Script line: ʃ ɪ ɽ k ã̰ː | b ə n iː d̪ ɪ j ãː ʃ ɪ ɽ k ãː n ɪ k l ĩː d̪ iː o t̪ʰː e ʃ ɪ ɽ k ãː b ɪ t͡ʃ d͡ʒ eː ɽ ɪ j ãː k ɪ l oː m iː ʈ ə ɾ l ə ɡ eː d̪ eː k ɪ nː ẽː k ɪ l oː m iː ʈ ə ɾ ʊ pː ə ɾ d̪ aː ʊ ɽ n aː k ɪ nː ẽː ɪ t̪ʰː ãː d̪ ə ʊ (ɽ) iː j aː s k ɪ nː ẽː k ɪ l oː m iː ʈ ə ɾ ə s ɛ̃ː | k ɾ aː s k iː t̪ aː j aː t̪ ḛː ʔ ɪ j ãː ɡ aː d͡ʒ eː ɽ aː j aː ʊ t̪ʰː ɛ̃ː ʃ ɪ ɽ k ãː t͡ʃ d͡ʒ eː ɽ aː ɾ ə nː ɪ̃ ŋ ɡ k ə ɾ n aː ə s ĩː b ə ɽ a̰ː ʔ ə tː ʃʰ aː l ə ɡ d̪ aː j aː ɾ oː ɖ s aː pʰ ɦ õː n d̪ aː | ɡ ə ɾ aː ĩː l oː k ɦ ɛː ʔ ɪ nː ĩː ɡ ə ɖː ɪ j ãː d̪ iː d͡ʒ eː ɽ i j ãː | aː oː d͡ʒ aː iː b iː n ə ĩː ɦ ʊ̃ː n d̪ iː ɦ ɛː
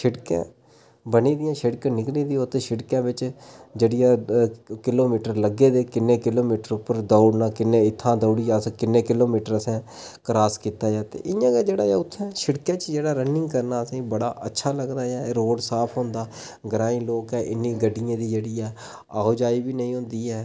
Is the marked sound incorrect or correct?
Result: correct